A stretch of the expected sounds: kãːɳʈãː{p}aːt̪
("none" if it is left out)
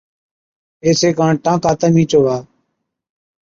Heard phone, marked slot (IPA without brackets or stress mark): k